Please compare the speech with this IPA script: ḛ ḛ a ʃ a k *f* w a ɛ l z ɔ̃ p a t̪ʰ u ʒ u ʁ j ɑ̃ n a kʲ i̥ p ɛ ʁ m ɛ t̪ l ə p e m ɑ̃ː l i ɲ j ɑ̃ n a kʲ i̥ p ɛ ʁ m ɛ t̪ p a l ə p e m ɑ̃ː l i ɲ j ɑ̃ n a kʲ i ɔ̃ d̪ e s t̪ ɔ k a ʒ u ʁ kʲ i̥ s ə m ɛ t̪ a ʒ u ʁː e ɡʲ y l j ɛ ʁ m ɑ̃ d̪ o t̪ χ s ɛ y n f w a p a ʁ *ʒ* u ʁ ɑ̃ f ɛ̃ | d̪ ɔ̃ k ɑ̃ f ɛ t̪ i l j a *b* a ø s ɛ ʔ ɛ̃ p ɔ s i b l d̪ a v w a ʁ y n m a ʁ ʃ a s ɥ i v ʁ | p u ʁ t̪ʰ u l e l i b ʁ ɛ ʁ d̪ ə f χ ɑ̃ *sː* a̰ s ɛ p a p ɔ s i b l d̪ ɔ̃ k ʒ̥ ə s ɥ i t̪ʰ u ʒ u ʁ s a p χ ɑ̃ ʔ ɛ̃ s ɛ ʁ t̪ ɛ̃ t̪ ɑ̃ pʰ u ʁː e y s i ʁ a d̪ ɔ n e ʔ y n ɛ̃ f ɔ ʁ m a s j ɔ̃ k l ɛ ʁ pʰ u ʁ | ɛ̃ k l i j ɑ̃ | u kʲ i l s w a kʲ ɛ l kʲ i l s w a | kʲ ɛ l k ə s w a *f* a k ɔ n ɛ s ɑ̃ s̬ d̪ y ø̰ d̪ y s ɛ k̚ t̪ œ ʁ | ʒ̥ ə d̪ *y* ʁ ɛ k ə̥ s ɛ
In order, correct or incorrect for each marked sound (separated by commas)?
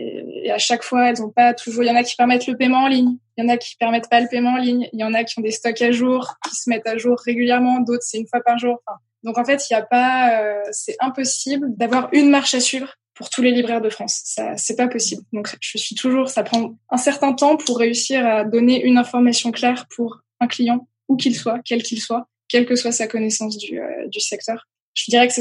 correct, correct, incorrect, correct, incorrect, incorrect